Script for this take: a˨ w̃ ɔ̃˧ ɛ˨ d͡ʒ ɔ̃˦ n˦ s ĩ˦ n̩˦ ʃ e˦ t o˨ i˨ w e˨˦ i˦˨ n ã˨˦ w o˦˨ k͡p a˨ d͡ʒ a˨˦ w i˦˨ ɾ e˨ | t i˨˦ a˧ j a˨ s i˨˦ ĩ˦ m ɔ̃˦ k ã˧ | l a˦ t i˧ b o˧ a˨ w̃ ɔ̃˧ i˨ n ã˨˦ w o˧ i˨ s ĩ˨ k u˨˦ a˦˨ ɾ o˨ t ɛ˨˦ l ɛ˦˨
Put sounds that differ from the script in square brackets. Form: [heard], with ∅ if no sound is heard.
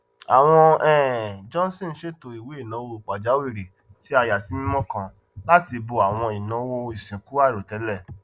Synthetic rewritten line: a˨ w̃ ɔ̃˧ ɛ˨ d͡ʒ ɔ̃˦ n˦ s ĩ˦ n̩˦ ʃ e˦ t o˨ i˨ w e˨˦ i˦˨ n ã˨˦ w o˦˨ k͡p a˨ d͡ʒ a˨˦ w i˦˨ ɾ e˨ | t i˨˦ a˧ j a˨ s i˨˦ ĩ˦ m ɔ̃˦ k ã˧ | l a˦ t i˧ b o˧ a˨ w̃ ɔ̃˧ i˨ n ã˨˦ w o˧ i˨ s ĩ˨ k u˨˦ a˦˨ ɾ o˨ t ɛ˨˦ l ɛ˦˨